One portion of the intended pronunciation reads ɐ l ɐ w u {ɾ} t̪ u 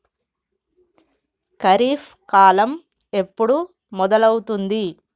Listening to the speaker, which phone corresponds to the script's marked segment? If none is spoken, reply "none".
none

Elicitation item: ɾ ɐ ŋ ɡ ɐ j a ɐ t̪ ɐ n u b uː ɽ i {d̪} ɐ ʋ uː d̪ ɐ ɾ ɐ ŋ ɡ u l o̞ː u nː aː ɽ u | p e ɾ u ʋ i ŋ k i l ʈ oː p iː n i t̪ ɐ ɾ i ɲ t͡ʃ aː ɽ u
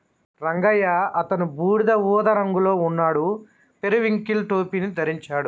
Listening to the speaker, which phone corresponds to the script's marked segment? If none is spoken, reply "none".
d̪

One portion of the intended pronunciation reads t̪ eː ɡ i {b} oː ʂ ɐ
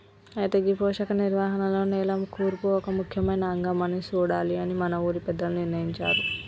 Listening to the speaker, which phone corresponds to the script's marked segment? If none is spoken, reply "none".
p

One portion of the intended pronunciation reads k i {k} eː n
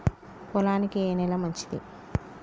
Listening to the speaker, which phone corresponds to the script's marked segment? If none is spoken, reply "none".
none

